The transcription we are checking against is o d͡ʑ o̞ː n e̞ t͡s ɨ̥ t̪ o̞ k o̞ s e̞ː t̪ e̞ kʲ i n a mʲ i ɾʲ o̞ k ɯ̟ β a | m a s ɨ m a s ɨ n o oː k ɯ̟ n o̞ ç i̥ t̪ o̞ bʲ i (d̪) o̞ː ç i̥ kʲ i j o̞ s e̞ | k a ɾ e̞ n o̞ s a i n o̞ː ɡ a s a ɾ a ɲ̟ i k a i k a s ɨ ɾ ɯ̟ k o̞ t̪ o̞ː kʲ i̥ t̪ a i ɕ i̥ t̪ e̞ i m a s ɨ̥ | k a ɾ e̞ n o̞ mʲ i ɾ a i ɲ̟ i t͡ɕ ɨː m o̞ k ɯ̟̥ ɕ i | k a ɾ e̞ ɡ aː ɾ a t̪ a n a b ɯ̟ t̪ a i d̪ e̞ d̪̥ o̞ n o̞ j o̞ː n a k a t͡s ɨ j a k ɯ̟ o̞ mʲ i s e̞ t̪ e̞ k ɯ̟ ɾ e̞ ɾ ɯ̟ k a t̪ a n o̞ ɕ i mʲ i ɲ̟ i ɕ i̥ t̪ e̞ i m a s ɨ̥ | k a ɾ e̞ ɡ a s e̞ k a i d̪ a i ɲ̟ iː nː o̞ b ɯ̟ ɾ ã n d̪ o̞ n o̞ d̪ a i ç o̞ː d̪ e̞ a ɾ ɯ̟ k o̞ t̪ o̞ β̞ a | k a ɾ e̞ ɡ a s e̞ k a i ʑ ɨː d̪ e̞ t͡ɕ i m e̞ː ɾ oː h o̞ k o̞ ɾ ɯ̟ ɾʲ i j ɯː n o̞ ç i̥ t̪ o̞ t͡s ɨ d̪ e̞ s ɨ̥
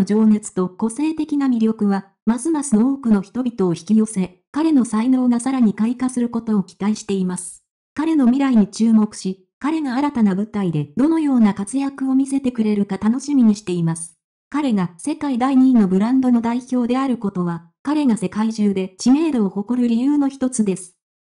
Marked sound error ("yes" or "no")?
yes